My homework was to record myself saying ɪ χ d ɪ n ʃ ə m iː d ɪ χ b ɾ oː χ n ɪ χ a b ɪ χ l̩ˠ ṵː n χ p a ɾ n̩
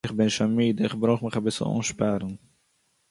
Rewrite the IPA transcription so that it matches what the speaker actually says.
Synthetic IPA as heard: ɪ χ b ɪ n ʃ a m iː d ɪ χ b ɾ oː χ m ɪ χ a b ɪ s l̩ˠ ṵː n ʃ p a ɾ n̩